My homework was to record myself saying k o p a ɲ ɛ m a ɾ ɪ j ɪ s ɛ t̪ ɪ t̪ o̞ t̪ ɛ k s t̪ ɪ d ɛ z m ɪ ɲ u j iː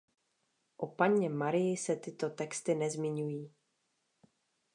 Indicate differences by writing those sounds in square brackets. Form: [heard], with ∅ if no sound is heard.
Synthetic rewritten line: [ʔ] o p a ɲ ɛ m a ɾ ɪ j ɪ s ɛ t̪ ɪ t̪ o̞ t̪ ɛ k s t̪ ɪ [n] ɛ z m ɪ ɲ u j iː